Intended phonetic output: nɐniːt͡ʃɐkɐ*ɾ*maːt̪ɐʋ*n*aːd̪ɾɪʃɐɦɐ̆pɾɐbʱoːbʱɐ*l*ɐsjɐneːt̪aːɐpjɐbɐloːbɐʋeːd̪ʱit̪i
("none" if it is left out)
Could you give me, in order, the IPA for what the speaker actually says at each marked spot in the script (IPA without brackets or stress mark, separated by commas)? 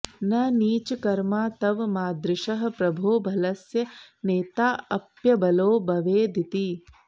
ɾ, m, l